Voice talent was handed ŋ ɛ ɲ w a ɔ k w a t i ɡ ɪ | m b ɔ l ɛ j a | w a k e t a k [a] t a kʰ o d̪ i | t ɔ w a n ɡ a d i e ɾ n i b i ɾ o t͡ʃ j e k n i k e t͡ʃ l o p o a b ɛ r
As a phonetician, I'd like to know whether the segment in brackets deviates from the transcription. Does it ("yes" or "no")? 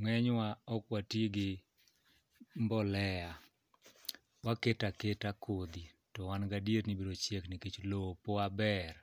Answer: yes